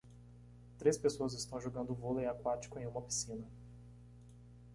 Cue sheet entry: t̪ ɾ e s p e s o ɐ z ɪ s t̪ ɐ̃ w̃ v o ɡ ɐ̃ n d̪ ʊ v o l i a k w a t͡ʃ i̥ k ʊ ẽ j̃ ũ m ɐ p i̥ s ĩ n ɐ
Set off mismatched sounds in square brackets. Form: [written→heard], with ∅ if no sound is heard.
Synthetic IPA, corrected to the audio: t̪ ɾ e s p e s o ɐ z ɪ s t̪ ɐ̃ w̃ [v→ʒ] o ɡ ɐ̃ n d̪ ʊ v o l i a k w a t͡ʃ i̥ k ʊ ẽ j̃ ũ m ɐ p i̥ s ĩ n ɐ